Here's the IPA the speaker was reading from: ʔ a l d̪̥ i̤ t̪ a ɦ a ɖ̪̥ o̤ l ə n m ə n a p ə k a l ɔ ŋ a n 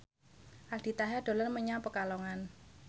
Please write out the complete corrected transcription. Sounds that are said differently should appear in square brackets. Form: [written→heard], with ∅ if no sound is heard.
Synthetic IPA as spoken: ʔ a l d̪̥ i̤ t̪ a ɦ a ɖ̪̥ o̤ l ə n m ə [n→ɲ] a p ə k a l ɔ ŋ a n